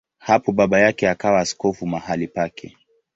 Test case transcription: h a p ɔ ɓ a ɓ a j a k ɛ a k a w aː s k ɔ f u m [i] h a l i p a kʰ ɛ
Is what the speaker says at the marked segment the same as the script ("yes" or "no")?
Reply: no